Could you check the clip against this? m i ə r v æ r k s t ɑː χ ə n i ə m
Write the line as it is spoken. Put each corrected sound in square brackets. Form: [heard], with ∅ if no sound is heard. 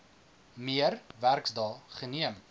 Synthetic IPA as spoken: m i ə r v æ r k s [d] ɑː χ ə n i ə m